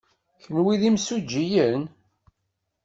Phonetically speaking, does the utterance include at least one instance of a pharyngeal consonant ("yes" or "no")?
no